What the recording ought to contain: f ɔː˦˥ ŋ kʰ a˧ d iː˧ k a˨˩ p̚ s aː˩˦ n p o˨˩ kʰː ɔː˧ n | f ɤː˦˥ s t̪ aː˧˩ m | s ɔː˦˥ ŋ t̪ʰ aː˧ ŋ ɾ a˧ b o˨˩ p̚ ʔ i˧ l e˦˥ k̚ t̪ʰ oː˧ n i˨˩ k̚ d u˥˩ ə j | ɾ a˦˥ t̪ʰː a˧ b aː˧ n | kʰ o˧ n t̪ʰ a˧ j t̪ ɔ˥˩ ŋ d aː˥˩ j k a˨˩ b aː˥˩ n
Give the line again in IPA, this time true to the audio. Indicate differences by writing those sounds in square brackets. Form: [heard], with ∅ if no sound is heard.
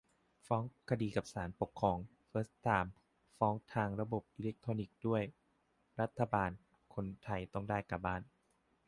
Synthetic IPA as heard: f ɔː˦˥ ŋ kʰ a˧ d iː˧ k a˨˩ p̚ s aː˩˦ n p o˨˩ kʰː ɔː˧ [ŋ] | f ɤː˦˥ s t̪ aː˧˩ m | [f] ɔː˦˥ ŋ t̪ʰ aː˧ ŋ ɾ a˧ b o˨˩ p̚ ʔ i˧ l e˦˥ k̚ t̪ʰ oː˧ n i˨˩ k̚ d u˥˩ ə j | ɾ a˦˥ t̪ʰː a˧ b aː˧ n | kʰ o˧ n t̪ʰ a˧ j t̪ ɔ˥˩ ŋ d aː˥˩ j k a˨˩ b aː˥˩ n